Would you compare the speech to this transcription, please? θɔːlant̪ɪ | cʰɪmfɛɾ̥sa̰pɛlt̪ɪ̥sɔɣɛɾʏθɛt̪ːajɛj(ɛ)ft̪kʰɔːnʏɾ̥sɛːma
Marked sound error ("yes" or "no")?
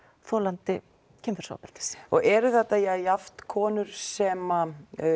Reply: yes